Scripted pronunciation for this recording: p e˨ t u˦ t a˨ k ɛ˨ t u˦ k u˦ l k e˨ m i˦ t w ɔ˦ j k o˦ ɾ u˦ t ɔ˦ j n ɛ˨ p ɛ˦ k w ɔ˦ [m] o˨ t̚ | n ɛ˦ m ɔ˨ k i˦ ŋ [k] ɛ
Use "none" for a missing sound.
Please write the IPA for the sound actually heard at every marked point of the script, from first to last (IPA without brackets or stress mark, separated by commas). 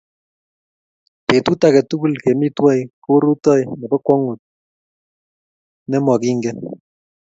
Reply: ŋ, ɡ